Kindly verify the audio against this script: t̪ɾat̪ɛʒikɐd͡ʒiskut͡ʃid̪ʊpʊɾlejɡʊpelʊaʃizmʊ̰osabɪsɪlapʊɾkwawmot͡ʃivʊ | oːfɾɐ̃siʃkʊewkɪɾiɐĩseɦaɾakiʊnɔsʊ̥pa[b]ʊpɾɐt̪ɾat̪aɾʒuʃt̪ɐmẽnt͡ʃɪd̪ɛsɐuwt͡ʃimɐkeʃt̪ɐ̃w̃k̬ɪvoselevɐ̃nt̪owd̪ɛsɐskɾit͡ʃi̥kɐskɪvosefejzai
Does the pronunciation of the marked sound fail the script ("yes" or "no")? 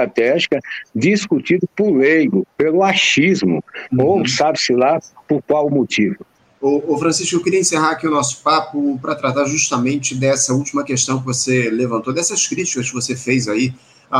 yes